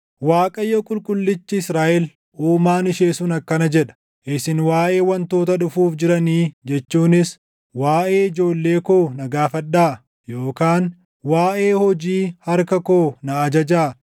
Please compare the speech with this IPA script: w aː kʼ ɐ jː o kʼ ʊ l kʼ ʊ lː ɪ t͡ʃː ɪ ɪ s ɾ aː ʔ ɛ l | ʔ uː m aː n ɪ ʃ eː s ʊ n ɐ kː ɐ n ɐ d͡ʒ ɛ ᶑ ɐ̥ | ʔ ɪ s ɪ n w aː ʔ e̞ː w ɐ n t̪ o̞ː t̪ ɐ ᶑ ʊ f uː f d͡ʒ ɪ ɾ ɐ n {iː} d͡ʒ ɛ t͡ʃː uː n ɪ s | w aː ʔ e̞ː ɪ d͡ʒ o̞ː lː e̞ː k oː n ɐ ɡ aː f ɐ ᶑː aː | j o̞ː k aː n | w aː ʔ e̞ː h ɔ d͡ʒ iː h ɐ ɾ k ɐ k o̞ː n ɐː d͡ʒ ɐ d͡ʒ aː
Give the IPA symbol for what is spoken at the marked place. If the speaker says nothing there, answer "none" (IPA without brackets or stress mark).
iː